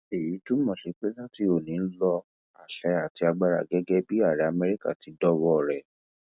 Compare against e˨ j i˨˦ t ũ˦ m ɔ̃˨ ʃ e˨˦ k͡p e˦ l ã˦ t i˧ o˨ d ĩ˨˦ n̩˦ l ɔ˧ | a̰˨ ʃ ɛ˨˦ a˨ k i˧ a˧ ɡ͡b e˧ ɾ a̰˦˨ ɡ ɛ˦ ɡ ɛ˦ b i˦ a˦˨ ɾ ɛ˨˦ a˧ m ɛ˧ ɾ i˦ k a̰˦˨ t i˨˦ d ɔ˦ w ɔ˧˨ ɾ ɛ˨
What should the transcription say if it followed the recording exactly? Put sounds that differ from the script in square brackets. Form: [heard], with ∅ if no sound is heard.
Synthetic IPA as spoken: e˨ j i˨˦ t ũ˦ m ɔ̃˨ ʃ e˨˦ k͡p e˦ l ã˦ t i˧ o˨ [n] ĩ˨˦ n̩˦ l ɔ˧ | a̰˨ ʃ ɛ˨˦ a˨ [t] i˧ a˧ ɡ͡b [a˧] ɾ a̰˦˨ ɡ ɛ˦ ɡ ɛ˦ b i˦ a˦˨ ɾ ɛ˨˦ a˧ m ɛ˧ ɾ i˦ k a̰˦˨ t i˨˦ d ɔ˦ w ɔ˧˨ ɾ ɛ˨